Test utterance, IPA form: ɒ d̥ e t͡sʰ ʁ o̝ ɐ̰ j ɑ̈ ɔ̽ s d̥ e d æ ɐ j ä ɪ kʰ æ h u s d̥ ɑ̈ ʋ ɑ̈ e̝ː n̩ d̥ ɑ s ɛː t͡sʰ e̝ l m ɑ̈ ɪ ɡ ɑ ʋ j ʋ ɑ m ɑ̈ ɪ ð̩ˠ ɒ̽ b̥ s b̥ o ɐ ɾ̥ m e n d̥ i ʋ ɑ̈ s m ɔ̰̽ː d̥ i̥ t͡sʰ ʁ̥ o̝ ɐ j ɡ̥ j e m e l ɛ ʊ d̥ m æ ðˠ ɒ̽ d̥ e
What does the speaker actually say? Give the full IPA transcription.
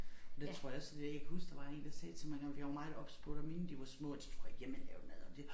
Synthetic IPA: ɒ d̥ e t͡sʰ ʁ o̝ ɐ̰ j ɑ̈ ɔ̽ s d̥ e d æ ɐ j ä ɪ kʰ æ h u s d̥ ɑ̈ ʋ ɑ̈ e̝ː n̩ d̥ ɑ s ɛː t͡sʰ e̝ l m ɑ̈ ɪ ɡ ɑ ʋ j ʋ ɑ m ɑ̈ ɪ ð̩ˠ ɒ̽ b̥ s b̥ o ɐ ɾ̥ m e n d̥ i ʋ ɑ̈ s m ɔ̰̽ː d̥ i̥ t͡sʰ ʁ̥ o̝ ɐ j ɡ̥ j e m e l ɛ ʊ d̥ m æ ðˠ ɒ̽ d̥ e